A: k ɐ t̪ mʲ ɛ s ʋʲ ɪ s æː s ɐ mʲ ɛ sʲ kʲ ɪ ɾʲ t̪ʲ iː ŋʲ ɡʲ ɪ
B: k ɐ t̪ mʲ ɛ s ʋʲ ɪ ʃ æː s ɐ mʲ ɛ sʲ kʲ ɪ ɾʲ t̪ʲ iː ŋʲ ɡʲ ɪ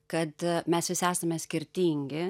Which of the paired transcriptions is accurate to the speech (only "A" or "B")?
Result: A